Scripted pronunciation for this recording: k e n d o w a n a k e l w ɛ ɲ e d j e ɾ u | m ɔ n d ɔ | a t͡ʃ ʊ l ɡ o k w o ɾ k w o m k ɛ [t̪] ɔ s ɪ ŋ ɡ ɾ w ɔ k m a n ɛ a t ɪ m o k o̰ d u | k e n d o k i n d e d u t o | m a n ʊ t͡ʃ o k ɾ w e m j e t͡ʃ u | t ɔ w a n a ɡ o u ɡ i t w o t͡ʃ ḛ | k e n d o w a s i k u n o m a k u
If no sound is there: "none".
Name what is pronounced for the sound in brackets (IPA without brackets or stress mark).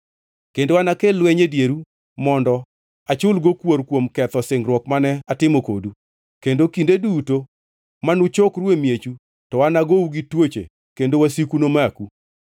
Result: t̪